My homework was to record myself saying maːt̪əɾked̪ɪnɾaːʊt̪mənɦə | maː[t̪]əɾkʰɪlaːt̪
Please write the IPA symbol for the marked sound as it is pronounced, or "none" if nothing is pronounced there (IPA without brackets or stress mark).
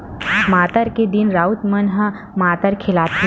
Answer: t̪